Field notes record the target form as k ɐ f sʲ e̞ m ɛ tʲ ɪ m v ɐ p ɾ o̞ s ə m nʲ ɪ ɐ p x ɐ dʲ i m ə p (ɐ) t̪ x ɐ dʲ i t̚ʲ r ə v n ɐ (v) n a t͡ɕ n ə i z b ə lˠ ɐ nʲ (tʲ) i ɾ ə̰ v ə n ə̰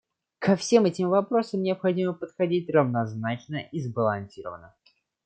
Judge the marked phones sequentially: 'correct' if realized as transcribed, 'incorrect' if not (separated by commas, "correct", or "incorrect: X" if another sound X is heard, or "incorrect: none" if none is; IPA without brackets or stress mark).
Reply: incorrect: ə, incorrect: z, incorrect: sʲ